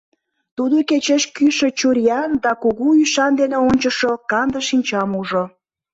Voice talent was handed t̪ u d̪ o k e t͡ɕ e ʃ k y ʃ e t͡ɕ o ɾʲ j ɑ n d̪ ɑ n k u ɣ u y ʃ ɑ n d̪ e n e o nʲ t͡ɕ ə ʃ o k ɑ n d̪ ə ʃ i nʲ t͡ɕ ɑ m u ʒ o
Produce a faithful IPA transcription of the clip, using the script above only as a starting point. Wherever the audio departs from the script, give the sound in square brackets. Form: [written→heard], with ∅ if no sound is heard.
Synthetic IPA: t̪ u d̪ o k e t͡ɕ e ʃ k y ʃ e t͡ɕ [o→u] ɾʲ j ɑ n d̪ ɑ [n→∅] k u ɣ u y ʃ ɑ n d̪ e n e o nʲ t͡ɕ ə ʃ o k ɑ n d̪ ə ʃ i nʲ t͡ɕ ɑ m u ʒ o